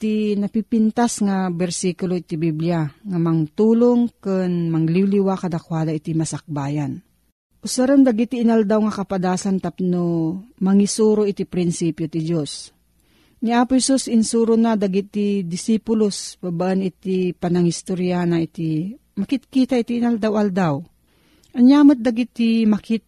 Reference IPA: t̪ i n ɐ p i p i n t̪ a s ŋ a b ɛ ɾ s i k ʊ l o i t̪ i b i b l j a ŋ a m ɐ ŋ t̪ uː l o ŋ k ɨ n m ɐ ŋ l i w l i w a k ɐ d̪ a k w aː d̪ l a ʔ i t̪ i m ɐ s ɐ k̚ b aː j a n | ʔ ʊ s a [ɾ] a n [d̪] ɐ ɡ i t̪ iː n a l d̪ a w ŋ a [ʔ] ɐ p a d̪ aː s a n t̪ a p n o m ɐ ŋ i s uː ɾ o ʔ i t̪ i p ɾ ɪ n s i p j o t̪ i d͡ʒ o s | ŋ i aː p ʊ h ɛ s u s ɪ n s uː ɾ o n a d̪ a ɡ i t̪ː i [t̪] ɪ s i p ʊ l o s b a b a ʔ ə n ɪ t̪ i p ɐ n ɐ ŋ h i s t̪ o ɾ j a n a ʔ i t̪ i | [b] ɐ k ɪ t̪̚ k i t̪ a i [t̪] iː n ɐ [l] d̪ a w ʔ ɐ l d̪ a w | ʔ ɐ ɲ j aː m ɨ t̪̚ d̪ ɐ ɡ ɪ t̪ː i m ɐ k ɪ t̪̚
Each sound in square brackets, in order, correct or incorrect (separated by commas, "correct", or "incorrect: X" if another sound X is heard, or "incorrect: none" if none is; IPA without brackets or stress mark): correct, correct, incorrect: k, incorrect: d̪, incorrect: m, correct, correct